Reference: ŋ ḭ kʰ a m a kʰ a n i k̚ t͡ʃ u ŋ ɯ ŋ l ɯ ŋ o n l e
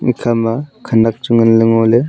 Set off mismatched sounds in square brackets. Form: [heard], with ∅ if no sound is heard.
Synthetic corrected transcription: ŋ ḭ kʰ a m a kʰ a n [a] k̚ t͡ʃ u ŋ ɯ [n] l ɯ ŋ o [∅] l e